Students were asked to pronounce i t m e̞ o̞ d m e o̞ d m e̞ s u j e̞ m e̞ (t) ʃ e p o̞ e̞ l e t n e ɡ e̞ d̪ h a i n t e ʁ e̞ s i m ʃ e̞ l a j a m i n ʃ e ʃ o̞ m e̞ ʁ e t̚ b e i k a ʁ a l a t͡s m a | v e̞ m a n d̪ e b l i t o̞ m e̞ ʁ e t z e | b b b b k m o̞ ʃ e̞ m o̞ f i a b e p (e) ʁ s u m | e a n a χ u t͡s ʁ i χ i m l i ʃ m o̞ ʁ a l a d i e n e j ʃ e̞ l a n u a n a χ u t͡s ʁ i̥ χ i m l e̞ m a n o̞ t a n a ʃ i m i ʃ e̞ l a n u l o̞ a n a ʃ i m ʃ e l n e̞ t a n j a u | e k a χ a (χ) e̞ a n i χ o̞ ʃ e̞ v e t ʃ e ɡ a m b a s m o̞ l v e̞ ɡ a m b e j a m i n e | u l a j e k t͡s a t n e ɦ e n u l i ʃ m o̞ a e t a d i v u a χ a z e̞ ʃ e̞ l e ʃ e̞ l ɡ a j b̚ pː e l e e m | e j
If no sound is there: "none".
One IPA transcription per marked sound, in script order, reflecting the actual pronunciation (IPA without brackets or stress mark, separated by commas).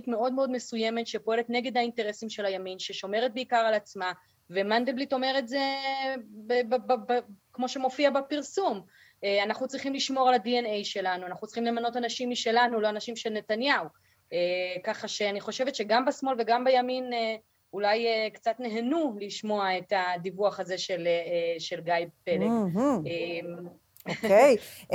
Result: t, i, ʃ